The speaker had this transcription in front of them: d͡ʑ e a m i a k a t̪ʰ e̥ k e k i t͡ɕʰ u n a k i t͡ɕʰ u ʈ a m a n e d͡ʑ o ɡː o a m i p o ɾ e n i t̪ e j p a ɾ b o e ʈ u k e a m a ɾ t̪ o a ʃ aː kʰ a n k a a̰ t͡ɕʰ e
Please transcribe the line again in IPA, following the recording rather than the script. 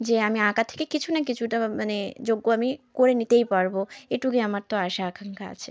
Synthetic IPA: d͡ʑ e a m i a k a t̪ʰ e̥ k e k i t͡ɕʰ u n a k i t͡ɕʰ u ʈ a m a n e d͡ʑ o ɡː o a m i k o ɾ e n i t̪ e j p a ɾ b o e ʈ u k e a m a ɾ t̪ o a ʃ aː kʰ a ŋ k a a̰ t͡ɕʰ e

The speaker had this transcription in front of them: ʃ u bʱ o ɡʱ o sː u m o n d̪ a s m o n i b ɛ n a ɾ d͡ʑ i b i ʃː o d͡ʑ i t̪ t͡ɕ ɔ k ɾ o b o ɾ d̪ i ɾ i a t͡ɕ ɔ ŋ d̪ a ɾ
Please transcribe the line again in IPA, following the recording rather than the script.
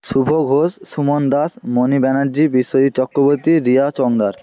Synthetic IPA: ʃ u bʱ o ɡʱ o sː u m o n d̪ a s m o n i b ɛ n a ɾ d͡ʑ i b i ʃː o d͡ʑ i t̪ t͡ɕ ɔ k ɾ o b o ɾ t̪ i ɾ i a t͡ɕ ɔ ŋ d̪ a ɾ

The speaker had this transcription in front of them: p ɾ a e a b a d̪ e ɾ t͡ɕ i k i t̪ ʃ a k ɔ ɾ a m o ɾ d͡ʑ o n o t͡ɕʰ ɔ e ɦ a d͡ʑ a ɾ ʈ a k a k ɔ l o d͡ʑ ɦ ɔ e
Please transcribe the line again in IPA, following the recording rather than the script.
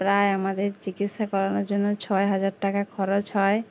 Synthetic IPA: p ɾ a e a m a d̪ e ɾ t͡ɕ i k i t̪ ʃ a k ɔ ɾ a n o ɾ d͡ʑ o nː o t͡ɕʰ ɔ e ɦ a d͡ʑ a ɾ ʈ a k a kʰ ɔ ɾ o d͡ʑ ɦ ɔ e

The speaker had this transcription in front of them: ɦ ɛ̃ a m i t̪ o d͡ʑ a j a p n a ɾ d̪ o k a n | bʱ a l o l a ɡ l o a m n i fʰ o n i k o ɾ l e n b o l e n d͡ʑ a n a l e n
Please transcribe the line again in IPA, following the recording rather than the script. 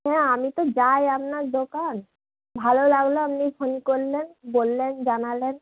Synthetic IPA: ɦ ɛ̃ a m i t̪ o d͡ʑ a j a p n a ɾ d̪ o k a n | bʱ a l o l a ɡ l o a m n i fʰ o n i k o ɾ l e n b o lː e n d͡ʑ a n a l e n

